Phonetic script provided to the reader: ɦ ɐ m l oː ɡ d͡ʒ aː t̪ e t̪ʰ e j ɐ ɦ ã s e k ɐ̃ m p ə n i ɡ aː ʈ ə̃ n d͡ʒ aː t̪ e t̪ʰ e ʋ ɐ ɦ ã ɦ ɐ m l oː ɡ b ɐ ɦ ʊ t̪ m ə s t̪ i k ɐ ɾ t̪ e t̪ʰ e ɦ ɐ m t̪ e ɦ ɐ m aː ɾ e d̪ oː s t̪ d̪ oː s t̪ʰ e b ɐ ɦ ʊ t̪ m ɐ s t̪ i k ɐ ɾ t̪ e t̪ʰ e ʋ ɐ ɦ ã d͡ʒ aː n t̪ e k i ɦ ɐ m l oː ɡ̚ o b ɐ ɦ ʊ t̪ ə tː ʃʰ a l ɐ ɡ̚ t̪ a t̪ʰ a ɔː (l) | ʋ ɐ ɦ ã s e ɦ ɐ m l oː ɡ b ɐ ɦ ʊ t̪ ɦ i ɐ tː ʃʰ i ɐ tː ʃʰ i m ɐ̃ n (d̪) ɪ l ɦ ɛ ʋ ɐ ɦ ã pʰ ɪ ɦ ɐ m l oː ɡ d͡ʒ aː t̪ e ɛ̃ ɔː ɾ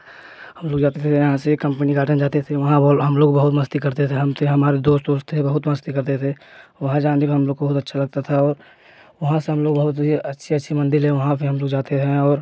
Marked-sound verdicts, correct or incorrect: incorrect: ɾ, correct

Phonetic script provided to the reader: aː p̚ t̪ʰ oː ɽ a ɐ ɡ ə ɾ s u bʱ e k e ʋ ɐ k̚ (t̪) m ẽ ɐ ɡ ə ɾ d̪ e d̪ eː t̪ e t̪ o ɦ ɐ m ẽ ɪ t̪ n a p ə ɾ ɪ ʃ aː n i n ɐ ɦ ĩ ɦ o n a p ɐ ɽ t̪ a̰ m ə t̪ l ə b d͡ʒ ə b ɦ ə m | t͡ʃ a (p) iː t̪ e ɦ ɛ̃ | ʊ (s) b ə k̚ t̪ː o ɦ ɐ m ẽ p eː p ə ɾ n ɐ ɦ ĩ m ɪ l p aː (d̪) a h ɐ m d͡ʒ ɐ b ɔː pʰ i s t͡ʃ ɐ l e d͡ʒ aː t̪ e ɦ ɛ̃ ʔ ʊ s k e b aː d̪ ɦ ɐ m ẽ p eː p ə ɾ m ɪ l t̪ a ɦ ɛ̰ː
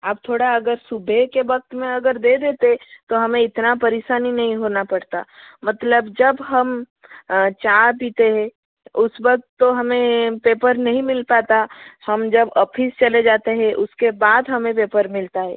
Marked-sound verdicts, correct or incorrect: correct, correct, correct, incorrect: t̪

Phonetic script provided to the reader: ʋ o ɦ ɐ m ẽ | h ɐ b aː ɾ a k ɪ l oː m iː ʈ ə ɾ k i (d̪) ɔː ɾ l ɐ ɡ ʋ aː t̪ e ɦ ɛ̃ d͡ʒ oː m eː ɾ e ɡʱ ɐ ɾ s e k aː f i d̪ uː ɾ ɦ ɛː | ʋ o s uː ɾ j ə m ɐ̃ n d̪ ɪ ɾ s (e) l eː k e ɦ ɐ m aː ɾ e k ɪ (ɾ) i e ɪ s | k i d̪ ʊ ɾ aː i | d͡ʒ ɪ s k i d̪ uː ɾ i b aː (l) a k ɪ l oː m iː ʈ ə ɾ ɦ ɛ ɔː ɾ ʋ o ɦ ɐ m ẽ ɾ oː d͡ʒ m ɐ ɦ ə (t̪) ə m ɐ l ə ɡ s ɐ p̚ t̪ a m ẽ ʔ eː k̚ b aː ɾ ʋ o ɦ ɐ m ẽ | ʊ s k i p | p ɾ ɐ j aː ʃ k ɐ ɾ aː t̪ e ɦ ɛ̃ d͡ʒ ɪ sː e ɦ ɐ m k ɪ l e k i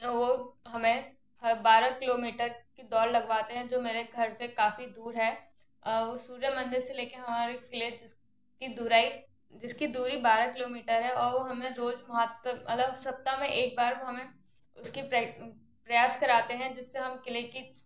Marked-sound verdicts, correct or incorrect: correct, correct, incorrect: l, incorrect: ɾ, correct

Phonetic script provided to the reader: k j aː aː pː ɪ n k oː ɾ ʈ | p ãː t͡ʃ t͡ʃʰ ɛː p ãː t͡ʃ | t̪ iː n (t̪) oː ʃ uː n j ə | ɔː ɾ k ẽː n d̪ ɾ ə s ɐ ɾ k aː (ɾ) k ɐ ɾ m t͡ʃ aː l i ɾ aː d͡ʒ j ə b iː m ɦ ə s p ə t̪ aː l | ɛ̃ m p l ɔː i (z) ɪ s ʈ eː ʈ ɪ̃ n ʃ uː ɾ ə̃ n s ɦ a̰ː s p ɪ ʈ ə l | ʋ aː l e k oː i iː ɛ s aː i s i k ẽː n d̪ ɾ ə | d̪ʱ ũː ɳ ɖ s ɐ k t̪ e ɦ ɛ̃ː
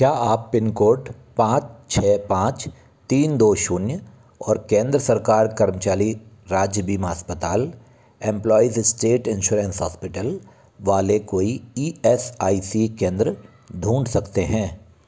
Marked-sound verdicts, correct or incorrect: incorrect: d̪, correct, correct

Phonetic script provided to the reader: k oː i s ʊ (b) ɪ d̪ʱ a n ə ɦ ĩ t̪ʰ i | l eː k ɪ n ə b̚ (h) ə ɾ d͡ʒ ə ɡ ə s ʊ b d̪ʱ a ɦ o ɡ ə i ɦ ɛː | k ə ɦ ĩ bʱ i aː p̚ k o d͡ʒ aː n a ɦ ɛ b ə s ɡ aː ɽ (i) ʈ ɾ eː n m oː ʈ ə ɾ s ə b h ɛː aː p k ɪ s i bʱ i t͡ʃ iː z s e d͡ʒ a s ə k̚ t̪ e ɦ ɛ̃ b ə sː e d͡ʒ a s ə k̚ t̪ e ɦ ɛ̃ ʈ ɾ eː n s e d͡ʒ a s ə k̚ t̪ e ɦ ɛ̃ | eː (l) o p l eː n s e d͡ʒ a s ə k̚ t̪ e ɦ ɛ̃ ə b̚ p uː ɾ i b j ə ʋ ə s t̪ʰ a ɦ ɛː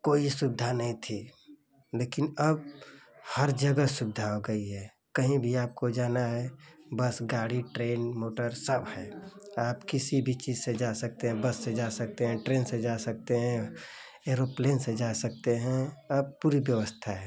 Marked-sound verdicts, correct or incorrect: correct, correct, correct, incorrect: ɾ

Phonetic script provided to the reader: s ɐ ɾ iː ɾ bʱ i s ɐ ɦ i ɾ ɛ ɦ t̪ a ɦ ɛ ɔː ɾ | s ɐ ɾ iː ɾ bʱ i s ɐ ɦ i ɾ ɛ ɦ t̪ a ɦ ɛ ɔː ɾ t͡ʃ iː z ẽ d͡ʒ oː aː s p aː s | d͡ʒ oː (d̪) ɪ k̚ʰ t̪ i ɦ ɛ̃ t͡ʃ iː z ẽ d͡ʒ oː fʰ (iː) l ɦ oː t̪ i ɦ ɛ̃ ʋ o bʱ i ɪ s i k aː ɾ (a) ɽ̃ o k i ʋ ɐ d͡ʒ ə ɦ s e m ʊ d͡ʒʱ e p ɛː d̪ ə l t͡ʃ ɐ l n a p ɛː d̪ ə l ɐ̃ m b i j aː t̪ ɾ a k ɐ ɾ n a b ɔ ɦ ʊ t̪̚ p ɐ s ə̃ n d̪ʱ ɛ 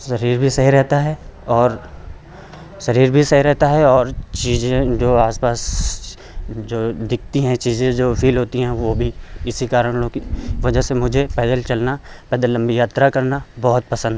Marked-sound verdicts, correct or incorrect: correct, correct, incorrect: ə

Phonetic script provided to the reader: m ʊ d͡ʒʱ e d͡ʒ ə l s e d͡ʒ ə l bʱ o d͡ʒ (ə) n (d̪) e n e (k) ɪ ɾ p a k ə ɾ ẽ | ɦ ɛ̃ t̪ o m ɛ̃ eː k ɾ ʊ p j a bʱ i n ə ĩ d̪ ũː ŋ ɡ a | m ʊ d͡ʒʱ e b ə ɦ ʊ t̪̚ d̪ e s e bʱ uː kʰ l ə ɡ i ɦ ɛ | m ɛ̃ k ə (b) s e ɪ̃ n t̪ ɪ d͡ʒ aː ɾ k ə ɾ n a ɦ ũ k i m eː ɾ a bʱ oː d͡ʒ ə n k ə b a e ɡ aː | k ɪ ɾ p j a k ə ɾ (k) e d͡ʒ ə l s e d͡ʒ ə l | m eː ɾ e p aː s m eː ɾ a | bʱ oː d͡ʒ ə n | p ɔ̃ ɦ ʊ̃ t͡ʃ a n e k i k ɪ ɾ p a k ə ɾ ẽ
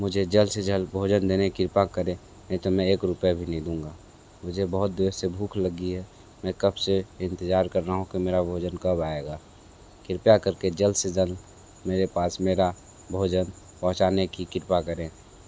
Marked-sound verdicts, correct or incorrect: correct, correct, correct, correct, correct

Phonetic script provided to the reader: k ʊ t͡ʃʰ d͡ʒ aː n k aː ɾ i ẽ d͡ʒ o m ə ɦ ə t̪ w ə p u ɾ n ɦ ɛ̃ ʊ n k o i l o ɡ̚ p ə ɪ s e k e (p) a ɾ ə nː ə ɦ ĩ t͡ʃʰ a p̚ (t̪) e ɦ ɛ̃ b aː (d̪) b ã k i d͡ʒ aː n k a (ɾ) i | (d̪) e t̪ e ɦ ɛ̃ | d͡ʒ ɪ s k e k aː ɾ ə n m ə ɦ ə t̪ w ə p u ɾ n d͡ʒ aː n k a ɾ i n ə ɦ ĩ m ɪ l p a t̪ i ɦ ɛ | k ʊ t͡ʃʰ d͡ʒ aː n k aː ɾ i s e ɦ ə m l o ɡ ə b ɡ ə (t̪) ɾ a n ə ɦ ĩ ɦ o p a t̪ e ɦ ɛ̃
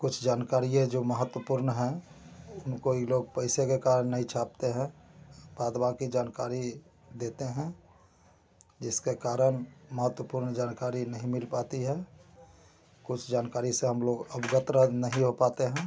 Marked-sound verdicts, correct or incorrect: incorrect: k, correct, correct, correct, correct, correct

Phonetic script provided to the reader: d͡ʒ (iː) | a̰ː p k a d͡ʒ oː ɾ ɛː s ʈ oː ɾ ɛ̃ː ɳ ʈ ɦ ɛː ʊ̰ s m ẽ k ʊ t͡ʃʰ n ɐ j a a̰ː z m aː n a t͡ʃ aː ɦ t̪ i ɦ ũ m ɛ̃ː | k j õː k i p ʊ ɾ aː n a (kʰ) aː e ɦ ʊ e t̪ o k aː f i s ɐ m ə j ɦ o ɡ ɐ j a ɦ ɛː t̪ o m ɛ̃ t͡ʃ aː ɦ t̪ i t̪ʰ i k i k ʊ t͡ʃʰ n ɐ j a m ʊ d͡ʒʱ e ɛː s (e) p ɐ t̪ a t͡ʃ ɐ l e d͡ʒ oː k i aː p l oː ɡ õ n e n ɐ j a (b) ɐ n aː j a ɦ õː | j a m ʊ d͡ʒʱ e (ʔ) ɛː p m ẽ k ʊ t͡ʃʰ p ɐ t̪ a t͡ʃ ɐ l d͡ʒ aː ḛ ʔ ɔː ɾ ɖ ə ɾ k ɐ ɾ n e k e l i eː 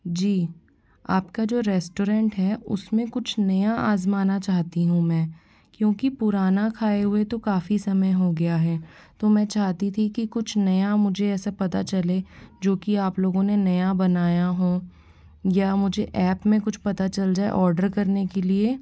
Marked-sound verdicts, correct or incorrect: correct, correct, incorrect: a, correct, correct

